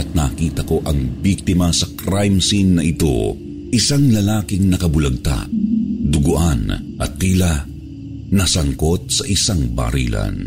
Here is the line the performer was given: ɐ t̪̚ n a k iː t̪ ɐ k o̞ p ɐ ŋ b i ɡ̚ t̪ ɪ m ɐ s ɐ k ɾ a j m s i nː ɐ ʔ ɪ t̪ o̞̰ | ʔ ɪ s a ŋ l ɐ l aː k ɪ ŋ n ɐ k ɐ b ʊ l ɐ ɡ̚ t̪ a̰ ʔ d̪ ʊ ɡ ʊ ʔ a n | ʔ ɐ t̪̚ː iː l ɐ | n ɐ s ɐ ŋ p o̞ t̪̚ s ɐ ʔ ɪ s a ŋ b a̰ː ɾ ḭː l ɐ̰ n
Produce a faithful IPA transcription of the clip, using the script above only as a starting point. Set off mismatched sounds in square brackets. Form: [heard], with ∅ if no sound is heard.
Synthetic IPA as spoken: ɐ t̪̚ n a k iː t̪ ɐ k o̞ [ʔ] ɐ ŋ b i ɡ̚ t̪ ɪ m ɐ s ɐ k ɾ a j m s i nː ɐ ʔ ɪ t̪ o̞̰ | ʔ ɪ s a ŋ l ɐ l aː k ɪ ŋ n ɐ k ɐ b ʊ l ɐ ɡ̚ t̪ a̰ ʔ d̪ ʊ ɡ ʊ ʔ a n | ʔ ɐ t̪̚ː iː l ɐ | n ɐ s ɐ ŋ [k] o̞ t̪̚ s ɐ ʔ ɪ s a ŋ b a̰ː ɾ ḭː l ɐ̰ n